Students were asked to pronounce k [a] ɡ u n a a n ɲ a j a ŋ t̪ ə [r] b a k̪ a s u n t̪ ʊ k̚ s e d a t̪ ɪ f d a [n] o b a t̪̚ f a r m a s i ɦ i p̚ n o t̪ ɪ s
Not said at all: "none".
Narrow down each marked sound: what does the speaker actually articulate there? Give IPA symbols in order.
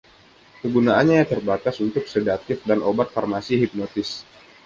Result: ə, r, n

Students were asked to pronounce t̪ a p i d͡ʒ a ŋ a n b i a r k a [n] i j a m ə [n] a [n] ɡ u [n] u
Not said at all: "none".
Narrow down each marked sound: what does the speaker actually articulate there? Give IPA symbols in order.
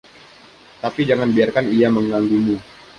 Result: n, ŋ, ŋ, m

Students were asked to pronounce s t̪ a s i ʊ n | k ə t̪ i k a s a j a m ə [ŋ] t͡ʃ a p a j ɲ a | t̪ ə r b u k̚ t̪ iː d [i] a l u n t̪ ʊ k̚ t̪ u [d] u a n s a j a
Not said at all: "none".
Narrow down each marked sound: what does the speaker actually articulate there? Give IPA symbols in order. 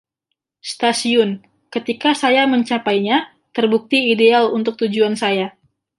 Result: ɲ, e, d͡ʒ

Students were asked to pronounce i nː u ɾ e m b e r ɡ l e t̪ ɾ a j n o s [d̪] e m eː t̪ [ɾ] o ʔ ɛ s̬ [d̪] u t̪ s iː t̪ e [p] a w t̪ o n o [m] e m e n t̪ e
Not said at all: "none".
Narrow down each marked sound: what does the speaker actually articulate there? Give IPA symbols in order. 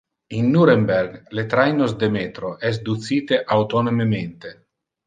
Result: d̪, ɾ, d̪, ʔ, m

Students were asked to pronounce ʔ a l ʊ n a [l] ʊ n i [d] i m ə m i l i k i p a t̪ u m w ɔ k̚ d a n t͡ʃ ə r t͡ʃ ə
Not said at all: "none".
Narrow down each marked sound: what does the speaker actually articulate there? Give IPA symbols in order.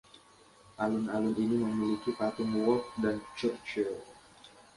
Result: l, n

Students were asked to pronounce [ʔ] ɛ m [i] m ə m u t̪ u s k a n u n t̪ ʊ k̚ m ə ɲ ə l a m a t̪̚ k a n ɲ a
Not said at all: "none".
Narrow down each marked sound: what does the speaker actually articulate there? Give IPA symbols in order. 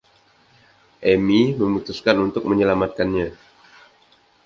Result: ʔ, i

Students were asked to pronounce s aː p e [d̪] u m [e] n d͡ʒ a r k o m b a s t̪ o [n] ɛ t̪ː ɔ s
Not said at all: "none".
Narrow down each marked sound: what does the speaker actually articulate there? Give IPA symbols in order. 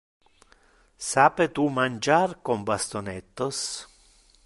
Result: t̪, a, n

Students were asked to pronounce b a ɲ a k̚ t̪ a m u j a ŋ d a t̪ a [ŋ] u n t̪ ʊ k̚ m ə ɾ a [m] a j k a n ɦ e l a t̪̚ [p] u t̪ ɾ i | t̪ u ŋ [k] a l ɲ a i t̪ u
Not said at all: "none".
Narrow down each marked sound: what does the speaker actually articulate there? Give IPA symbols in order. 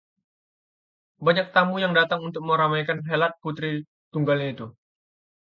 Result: ŋ, m, p, ɡ

